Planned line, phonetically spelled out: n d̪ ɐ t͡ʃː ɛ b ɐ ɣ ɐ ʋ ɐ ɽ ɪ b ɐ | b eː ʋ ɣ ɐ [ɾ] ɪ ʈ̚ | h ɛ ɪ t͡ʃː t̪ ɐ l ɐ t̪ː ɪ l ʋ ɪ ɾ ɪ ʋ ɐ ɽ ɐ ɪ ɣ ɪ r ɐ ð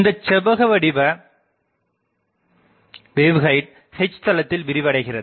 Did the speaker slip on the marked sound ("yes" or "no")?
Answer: yes